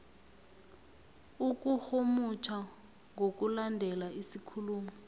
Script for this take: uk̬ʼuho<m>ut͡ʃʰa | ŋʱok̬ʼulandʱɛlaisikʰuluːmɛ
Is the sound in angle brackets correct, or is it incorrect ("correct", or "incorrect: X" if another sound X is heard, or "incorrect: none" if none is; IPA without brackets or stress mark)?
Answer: correct